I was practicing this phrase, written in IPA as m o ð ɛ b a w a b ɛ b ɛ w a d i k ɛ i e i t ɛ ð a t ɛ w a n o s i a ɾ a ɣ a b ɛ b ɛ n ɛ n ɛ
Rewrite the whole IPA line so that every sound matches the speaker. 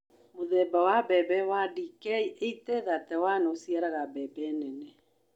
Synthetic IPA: m o ð ɛ b a w a b ɛ b ɛ w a d i k ɛ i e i t ɛ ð a t ɛ w a n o s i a ɾ a ɣ a b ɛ b ɛ n ɛ n ɛ